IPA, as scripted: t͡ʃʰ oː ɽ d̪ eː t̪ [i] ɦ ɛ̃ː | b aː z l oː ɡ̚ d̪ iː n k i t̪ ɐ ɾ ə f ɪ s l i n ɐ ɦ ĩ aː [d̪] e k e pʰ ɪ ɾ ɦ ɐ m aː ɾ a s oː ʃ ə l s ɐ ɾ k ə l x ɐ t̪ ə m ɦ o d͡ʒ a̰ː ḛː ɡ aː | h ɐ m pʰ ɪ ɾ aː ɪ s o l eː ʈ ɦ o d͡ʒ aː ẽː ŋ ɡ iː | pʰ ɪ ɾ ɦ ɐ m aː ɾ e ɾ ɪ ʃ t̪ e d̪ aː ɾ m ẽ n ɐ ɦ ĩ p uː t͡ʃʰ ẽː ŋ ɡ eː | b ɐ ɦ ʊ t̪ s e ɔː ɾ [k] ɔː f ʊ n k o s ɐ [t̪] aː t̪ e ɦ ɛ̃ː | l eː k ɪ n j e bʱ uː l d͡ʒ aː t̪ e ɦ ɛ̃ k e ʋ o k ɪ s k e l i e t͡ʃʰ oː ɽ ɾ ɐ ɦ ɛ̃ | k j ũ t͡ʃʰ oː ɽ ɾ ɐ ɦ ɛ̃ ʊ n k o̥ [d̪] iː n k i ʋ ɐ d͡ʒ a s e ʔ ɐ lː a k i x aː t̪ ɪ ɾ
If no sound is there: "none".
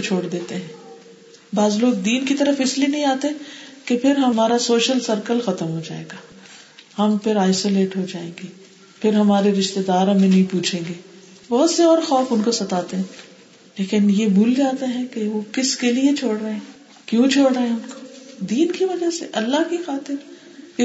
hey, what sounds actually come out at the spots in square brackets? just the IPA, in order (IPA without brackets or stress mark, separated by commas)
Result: e, t̪, x, t̪, d̪